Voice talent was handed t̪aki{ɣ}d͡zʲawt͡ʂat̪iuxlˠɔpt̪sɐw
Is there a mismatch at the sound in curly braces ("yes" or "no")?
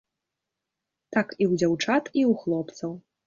yes